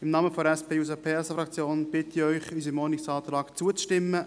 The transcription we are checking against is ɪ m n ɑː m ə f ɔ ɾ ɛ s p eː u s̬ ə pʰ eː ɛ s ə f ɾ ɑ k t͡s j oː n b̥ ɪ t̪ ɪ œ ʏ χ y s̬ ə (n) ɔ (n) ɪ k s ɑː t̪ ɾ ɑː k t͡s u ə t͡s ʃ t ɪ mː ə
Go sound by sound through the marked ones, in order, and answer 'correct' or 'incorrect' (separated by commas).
incorrect, correct